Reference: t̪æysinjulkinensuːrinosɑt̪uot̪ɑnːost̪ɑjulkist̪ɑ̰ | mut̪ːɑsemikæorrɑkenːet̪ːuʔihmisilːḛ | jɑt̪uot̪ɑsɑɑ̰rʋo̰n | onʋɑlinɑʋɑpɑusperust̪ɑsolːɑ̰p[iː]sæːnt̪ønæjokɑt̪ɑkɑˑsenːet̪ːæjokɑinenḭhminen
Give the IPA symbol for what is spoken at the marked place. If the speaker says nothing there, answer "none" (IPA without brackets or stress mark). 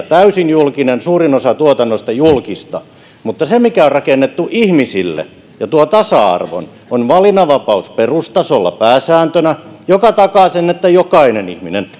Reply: æː